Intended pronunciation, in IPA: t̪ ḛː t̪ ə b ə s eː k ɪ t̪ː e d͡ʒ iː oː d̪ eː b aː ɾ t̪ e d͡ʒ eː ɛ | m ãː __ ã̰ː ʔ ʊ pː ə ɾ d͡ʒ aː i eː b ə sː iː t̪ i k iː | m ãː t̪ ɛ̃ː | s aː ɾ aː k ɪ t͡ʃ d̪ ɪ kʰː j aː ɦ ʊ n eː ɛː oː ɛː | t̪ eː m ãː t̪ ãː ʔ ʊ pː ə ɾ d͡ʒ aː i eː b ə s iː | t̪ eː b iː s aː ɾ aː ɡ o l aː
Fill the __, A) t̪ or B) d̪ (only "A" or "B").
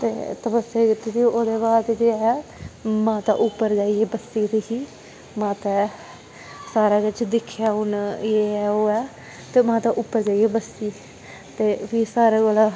A